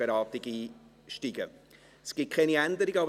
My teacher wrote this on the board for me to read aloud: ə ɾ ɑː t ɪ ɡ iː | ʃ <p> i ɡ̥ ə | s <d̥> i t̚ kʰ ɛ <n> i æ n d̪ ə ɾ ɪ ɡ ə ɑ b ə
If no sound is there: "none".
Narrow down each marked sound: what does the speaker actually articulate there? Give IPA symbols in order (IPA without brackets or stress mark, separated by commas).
t, ɡ̥, n